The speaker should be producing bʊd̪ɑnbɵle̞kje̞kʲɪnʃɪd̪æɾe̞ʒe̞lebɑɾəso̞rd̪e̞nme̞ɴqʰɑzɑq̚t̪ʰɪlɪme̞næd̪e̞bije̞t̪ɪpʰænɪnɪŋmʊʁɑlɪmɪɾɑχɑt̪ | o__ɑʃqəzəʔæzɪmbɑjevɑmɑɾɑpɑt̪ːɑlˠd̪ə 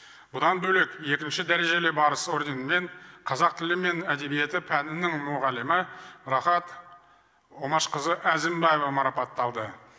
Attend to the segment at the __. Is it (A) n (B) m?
B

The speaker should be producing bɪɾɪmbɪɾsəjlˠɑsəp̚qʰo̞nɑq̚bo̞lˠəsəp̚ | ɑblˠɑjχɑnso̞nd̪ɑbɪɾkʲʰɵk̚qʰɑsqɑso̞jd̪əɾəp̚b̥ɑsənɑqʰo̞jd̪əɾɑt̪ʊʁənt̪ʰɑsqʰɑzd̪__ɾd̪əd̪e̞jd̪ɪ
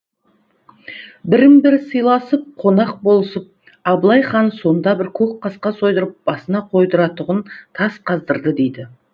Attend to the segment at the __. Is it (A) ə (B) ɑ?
A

